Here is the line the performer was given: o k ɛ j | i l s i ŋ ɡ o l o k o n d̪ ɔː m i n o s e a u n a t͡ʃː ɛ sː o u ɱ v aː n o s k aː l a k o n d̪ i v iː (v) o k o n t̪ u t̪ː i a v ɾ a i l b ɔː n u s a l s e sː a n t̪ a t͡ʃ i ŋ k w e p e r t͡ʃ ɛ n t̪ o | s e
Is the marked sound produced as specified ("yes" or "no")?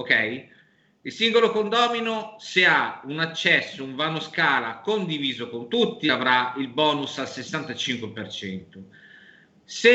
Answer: no